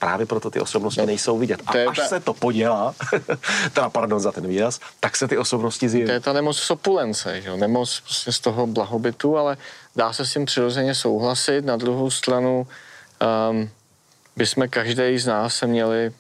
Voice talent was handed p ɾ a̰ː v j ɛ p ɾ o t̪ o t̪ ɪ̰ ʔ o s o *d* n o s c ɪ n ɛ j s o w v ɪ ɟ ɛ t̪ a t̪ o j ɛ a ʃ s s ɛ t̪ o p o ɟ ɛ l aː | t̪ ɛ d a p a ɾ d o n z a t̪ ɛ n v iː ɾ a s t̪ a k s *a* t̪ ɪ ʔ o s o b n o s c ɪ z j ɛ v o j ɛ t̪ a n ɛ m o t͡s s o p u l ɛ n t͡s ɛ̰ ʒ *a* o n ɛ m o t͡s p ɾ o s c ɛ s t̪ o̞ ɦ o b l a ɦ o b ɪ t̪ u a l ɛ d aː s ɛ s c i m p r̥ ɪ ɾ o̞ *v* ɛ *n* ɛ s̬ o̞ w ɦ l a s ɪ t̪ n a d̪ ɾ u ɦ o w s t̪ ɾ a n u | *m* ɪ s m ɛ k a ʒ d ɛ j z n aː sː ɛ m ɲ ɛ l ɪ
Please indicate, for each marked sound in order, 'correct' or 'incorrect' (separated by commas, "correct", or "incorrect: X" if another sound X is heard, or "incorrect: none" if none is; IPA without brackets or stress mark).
incorrect: b, incorrect: ɛ, incorrect: ɛ, incorrect: z, incorrect: ɲ, incorrect: b